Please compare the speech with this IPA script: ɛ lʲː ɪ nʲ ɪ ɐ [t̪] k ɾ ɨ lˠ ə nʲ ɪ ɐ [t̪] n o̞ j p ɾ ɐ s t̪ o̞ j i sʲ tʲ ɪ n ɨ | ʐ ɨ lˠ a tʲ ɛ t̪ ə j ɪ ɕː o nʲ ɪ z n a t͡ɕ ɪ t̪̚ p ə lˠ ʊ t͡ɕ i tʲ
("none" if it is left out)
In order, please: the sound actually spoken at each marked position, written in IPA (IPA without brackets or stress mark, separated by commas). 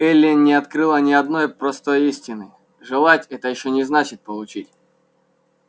t̪, d̪